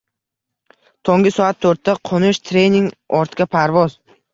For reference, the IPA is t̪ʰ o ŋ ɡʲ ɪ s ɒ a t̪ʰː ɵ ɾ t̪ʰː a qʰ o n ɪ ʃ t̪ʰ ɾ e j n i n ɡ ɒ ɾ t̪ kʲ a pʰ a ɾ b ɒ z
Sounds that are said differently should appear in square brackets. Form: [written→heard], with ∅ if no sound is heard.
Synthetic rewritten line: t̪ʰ o ŋ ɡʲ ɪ s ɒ a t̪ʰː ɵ ɾ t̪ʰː a qʰ o n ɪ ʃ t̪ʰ ɾ e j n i [n→ŋ] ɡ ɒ ɾ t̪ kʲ a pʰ a ɾ [b→v] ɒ z